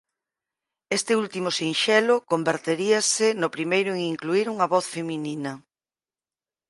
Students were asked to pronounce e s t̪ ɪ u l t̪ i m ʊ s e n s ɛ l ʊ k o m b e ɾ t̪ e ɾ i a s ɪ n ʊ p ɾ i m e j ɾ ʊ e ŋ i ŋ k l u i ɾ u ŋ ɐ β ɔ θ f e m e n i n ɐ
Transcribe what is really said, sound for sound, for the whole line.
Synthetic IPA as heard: e s t̪ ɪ u l t̪ i m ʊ s i n ʃ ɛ l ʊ k o m b e ɾ t̪ e ɾ i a s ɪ n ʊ p ɾ i m e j ɾ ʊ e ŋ i ŋ k l u i ɾ u ŋ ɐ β ɔ θ f e m i n i n ɐ

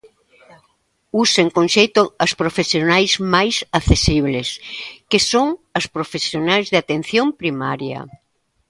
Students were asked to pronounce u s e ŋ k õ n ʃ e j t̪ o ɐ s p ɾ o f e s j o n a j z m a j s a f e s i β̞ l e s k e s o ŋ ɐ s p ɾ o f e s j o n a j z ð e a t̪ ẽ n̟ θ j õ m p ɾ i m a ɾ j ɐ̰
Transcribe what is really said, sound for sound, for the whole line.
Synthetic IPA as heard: u s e ŋ k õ n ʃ e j t̪ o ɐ s p ɾ o f e s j o n a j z m a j s a θ e s i β̞ l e s k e s o ŋ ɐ s p ɾ o f e s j o n a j z ð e a t̪ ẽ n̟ θ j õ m p ɾ i m a ɾ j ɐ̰

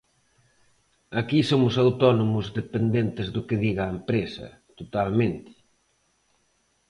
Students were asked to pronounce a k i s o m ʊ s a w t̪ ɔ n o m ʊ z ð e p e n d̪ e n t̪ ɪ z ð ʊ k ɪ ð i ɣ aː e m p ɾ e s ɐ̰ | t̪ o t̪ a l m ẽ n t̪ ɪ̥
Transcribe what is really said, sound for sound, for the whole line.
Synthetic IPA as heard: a k i s o m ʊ s a w t̪ ɔ n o m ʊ z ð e p e n d̪ e n t̪ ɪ z ð ʊ k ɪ ð i ɣ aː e m p ɾ e s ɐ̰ | t̪ o t̪ a l m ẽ n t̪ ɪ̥

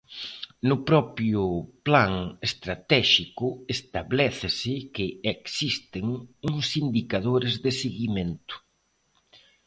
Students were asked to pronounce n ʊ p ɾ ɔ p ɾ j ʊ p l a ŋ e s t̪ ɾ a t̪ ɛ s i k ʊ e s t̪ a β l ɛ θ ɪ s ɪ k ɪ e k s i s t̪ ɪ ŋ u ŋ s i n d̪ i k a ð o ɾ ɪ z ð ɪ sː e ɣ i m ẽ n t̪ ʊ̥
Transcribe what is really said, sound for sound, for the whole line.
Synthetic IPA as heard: n ʊ p ɾ ɔ p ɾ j ʊ p l a ŋ e s t̪ ɾ a t̪ ɛ ʃ i k ʊ e s t̪ a β l ɛ θ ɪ s ɪ k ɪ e k s i s t̪ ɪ ŋ u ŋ s i n d̪ i k a ð o ɾ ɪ z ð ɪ s e ɣ i m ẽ n t̪ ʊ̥

